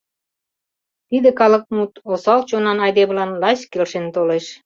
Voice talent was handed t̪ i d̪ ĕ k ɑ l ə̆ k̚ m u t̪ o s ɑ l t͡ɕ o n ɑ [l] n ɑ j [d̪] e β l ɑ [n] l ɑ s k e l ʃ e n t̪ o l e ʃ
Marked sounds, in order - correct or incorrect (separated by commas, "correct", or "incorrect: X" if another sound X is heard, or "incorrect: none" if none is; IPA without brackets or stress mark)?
incorrect: none, correct, correct